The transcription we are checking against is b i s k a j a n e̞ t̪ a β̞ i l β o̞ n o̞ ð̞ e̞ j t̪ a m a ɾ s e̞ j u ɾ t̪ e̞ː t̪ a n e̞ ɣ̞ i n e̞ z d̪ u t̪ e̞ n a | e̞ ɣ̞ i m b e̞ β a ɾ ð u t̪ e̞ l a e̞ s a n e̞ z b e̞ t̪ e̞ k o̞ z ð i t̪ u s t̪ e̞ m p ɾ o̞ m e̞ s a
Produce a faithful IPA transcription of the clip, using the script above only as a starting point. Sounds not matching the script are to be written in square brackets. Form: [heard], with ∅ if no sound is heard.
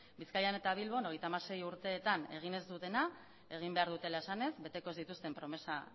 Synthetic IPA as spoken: b i s k a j a n e̞ t̪ a β̞ i l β o̞ n o̞ [ɣ̞] e̞ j t̪ a m a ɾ s e̞ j u ɾ t̪ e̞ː t̪ a n e̞ ɣ̞ i n e̞ z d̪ u t̪ e̞ n a | e̞ ɣ̞ i m b e̞ [∅] a ɾ ð u t̪ e̞ l a e̞ s a n e̞ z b e̞ t̪ e̞ k o̞ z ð i t̪ u s t̪ e̞ m p ɾ o̞ m e̞ s a